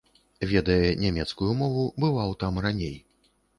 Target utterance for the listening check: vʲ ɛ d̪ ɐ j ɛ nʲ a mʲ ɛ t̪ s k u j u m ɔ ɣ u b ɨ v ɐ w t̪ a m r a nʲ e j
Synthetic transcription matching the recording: vʲ ɛ d̪ ɐ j ɛ nʲ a mʲ ɛ t̪ s k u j u m ɔ v u b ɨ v a w t̪ a m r a nʲ e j

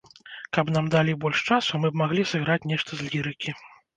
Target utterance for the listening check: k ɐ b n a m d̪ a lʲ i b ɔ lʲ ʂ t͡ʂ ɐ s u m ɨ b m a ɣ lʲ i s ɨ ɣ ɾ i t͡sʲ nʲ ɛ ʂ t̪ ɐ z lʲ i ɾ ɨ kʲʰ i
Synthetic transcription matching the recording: k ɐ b n a m d̪ a lʲ i b ɔ lʲ ʂ t͡ʂ a s u m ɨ b m a ɣ lʲ i s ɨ ɣ ɾ a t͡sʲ nʲ ɛ ʂ t̪ ɐ z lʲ i ɾ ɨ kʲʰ i

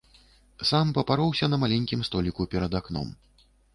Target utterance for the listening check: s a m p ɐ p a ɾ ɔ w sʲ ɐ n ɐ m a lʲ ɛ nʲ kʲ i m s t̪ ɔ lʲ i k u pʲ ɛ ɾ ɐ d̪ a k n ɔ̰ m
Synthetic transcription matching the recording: s a m p ɐ p a ɾ ɔ w sʲ ɐ n ɐ m a lʲ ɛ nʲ kʲ i m s t̪ ɔ lʲ i k u pʲ ɛ ɾ ɐ d̪ a k n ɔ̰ m

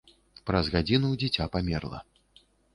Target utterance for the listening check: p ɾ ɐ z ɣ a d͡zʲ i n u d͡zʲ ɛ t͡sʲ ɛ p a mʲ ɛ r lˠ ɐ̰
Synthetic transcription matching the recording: p ɾ ɐ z ɣ a d͡zʲ i n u d͡zʲ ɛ t͡sʲ a p a mʲ ɛ r lˠ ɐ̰

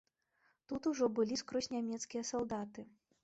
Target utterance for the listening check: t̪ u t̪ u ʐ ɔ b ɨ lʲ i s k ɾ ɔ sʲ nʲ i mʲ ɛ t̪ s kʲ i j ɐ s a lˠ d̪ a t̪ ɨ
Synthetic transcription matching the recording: t̪ u t̪ u ʐ ɔ b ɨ lʲ i s k ɾ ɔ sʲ nʲ a mʲ ɛ t̪ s kʲ i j ɐ s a lˠ d̪ a t̪ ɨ

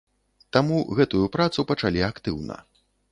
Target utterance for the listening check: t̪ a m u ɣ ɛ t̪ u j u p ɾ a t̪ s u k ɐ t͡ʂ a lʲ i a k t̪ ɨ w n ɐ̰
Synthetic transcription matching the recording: t̪ a m u ɣ ɛ t̪ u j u p ɾ a t̪ s u p ɐ t͡ʂ a lʲ i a k t̪ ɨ w n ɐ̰

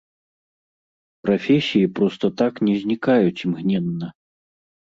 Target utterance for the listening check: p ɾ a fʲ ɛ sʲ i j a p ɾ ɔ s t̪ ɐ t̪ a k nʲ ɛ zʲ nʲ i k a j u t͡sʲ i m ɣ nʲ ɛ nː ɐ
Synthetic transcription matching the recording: p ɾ a fʲ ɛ sʲ i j i p ɾ ɔ s t̪ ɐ t̪ a k nʲ ɛ zʲ nʲ i k a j u t͡sʲ i m ɣ nʲ ɛ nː ɐ

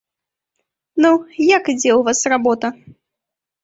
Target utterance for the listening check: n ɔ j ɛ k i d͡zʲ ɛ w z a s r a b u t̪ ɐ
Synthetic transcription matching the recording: n u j a k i d͡zʲ ɛ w v a s r a b ɔ t̪ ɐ

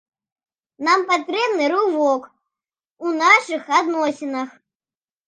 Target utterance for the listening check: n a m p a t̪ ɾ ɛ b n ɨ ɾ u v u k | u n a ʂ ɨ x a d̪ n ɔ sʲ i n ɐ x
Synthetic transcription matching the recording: n a m p a t̪ ɾ ɛ b n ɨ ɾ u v ɔ k | u n a ʂ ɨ x a d̪ n ɔ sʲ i n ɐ x

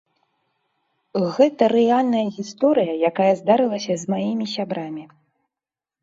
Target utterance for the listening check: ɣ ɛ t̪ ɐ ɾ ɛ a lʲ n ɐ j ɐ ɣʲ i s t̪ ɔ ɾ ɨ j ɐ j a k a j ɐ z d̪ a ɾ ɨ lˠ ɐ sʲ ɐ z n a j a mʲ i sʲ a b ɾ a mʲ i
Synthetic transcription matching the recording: ɣ ɛ t̪ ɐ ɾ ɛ a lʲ n ɐ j ɐ ɣʲ i s t̪ ɔ ɾ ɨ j ɐ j a k a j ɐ z d̪ a ɾ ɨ lˠ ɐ sʲ ɐ z m a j i mʲ i sʲ a b ɾ a mʲ i

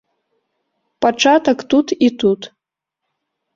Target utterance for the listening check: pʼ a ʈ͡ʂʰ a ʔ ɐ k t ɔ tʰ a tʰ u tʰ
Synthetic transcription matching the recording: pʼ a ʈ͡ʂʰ a t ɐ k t u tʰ i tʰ u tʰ

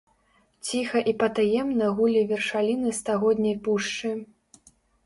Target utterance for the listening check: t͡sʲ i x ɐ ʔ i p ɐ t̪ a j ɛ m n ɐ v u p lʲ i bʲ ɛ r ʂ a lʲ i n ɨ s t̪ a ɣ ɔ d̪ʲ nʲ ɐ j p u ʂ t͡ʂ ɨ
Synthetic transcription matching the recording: t͡sʲ i x ɐ ʔ i p ɐ t̪ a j ɛ m n ɐ ɣ u lʲ i vʲ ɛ r ʂ a lʲ i n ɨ s t̪ a ɣ ɔ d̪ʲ nʲ ɐ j p u ʂ t͡ʂ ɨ

